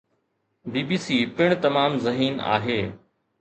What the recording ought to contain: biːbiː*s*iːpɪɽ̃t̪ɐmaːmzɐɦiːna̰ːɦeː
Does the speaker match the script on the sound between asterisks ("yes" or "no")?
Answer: yes